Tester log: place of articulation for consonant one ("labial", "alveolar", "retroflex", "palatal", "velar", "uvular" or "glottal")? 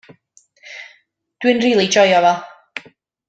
alveolar